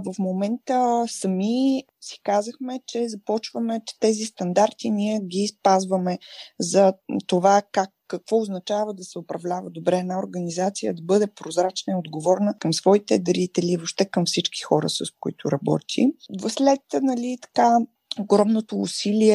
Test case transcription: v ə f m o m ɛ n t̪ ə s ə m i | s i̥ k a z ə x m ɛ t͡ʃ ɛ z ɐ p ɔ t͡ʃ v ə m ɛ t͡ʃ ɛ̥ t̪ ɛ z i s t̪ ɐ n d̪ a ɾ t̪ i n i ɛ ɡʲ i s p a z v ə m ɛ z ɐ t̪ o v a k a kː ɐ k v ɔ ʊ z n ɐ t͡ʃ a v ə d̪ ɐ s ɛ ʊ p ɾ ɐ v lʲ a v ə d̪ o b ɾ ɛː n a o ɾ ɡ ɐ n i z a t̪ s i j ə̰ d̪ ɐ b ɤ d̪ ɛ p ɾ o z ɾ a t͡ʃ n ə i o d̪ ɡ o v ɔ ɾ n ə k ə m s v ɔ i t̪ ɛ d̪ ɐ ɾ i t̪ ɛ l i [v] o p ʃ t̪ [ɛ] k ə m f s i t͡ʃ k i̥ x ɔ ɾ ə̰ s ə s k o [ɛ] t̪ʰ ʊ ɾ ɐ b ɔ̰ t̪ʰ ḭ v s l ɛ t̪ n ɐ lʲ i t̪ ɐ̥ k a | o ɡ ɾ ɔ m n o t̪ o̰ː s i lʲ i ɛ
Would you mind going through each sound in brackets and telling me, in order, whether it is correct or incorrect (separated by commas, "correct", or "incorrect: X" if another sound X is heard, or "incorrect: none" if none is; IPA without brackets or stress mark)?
correct, correct, incorrect: i